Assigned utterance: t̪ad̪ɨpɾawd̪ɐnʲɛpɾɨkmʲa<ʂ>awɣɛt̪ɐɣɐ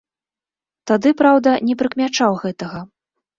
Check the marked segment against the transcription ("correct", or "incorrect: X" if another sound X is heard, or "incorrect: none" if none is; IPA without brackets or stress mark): incorrect: t͡ʂ